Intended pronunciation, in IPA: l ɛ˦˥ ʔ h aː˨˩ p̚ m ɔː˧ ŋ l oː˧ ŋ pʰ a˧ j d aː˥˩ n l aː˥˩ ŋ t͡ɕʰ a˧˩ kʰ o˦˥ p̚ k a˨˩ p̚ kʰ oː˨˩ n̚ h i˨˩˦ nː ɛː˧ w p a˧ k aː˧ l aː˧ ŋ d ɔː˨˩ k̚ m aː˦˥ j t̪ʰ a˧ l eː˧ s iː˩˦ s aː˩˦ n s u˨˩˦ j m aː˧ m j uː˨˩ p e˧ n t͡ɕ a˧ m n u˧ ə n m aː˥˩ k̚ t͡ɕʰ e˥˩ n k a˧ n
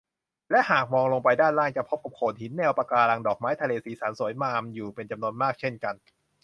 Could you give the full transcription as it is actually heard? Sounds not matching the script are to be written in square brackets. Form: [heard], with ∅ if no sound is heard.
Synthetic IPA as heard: l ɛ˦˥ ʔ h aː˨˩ [k̚] m ɔː˧ ŋ l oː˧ ŋ [p] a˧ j d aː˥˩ n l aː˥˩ ŋ [t͡ɕ] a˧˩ [pʰ] o˦˥ p̚ k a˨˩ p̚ kʰ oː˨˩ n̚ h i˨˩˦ nː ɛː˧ w p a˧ k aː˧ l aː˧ ŋ d ɔː˨˩ k̚ m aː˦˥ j t̪ʰ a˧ l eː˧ s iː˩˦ s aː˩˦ n s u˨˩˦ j m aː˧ m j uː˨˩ p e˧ n t͡ɕ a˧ m n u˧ ə n m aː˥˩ k̚ t͡ɕʰ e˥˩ n k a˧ n

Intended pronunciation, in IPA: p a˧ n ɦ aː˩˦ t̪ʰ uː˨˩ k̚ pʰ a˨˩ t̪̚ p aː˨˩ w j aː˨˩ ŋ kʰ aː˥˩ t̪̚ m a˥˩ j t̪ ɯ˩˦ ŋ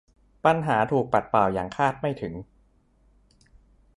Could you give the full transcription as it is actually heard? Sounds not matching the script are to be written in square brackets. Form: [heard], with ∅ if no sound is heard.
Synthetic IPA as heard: p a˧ n ɦ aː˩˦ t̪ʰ uː˨˩ k̚ [p] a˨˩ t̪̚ p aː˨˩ w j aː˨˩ ŋ kʰ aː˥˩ t̪̚ m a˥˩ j [t̪ʰ] ɯ˩˦ ŋ

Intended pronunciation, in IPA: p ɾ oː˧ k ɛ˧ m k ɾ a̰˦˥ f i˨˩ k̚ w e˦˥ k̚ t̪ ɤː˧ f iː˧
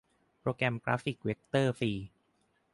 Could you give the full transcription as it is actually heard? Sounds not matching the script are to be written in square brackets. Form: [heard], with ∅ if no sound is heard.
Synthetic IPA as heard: p ɾ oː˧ k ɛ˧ m k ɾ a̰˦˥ f i˨˩ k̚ w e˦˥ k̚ t̪ [ɤː˥˩] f iː˧

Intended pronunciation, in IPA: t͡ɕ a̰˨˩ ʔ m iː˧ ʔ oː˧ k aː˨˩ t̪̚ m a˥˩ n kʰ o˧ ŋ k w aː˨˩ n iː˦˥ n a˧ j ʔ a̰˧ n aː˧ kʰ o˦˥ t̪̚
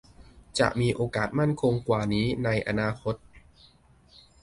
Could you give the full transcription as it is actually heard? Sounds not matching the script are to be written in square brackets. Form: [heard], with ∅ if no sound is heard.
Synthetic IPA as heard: t͡ɕ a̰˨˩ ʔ m iː˧ ʔ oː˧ k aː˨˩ t̪̚ m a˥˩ n kʰ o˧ ŋ k w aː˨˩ n iː˦˥ n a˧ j ʔ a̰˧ n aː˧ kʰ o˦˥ t̪̚

